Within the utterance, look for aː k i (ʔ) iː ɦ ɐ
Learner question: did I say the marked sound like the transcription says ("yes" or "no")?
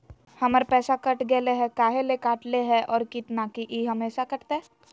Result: yes